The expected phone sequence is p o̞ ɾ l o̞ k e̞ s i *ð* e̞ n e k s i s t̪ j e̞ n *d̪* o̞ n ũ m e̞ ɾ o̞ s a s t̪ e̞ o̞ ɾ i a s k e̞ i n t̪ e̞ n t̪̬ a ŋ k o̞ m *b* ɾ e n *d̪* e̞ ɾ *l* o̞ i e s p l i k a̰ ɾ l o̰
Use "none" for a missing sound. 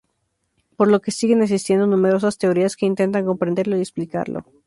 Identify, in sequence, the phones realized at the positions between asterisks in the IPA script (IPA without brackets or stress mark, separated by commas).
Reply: ɣ, d̪, p, d̪, l